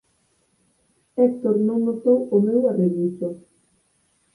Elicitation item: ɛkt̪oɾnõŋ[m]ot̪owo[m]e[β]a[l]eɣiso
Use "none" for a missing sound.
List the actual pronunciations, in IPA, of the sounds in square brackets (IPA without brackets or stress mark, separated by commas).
n, m, w, r